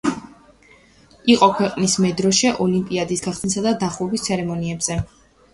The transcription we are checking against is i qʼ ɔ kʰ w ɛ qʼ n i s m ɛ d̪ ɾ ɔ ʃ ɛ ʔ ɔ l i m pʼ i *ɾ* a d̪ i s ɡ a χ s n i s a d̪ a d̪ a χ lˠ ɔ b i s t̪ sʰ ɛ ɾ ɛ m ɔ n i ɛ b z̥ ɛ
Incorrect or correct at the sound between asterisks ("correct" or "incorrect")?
incorrect